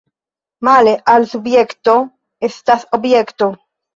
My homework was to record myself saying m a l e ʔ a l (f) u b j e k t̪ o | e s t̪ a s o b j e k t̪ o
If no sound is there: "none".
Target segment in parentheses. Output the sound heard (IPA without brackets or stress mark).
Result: s